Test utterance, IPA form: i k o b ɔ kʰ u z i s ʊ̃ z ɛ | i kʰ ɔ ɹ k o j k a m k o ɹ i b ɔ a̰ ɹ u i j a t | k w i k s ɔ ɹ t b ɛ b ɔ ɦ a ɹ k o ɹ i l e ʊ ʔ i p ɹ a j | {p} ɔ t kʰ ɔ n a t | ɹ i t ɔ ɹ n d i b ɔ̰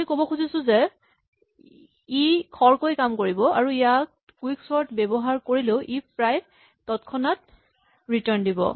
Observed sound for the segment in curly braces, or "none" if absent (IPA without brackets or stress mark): t